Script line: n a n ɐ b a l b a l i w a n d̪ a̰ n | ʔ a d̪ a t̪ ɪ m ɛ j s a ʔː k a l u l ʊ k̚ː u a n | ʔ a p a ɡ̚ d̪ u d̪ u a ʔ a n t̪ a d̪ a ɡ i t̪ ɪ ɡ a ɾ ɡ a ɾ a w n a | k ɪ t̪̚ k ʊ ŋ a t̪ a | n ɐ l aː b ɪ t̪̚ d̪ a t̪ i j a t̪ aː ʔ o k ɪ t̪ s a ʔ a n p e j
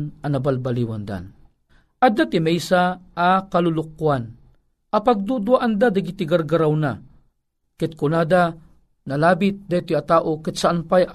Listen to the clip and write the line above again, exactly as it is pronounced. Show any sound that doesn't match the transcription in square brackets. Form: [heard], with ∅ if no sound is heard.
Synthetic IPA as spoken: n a n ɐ b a l b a l i w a n d̪ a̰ n | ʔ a d̪ a t̪ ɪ m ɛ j s a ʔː k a l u l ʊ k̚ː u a n | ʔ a p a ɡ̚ d̪ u d̪ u a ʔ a n [d̪] a d̪ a ɡ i t̪ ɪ ɡ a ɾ ɡ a ɾ a w n a | k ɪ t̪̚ k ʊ [n] a [d̪] a | n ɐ l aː b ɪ t̪̚ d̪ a t̪ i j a t̪ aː ʔ o k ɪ t̪ s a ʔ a n p [a] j